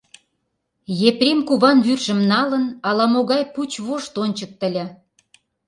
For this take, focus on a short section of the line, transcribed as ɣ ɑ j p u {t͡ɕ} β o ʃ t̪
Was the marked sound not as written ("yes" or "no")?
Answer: no